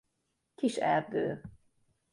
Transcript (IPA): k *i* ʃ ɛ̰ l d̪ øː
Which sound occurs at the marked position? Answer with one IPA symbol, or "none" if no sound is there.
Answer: i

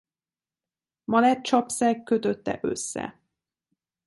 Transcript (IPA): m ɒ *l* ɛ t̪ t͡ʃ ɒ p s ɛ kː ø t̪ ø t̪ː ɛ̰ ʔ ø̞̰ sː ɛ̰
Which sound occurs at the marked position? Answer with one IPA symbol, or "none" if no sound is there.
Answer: l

